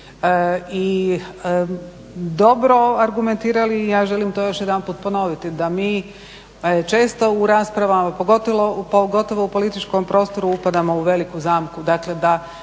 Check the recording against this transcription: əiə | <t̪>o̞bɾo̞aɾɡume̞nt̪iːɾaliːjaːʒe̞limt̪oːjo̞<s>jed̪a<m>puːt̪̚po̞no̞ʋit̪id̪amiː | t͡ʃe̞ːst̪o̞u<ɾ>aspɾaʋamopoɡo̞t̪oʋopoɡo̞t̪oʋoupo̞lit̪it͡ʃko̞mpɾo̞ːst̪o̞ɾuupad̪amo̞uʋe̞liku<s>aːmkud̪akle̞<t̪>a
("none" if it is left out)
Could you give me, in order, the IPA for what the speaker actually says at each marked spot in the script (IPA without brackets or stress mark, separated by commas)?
d̪, ʃ, n, ɾ, z, d̪